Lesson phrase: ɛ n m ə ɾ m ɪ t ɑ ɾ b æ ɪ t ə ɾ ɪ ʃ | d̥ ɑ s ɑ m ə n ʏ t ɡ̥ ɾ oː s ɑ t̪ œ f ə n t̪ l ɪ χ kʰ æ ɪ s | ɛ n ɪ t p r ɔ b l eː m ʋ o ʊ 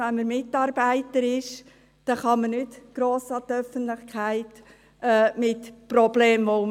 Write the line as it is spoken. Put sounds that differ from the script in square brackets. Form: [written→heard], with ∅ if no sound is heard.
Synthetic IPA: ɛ n m ə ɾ m ɪ t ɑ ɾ b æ ɪ t ə ɾ ɪ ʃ | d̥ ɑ [s→χ] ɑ m ə n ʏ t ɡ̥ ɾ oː s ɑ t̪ œ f ə n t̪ l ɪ χ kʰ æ ɪ [s→t] | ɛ [n→m] ɪ t p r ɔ b l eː m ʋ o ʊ